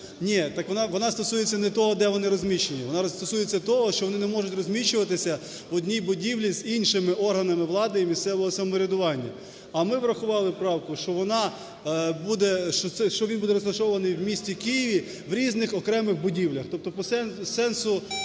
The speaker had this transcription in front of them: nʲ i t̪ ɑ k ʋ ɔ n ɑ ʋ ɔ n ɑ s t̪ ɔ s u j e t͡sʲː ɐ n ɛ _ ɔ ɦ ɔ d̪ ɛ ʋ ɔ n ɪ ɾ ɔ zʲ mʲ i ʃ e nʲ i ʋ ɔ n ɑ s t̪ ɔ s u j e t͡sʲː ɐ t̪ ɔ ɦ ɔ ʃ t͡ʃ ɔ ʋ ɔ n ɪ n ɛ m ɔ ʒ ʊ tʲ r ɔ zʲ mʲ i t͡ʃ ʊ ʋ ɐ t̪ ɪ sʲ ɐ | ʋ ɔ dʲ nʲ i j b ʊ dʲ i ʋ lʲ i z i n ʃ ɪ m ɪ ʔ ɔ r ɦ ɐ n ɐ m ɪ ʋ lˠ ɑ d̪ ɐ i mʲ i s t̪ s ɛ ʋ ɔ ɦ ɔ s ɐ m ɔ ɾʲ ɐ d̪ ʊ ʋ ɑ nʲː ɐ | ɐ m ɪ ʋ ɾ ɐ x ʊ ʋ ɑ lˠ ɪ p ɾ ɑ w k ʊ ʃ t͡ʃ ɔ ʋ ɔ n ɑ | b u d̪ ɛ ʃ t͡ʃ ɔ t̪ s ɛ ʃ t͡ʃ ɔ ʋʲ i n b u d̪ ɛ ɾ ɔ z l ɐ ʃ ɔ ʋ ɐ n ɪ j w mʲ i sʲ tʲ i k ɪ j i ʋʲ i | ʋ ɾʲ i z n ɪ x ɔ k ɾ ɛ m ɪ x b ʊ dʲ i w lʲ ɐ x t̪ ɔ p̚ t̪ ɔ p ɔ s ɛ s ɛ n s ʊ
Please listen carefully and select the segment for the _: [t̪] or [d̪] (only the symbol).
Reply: t̪